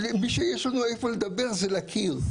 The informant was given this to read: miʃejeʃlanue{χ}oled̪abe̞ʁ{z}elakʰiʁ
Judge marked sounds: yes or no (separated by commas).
no, yes